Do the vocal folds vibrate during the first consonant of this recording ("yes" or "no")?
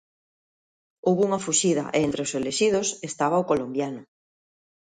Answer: yes